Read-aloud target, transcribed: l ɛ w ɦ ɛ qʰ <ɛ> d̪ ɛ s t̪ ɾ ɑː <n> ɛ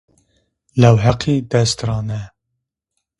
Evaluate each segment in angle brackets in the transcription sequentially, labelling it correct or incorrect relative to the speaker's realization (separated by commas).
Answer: incorrect, correct